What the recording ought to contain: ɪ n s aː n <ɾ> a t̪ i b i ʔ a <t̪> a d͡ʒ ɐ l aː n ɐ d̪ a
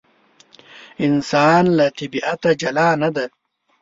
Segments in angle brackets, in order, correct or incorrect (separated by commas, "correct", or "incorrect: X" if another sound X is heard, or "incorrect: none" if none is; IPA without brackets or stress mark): incorrect: l, correct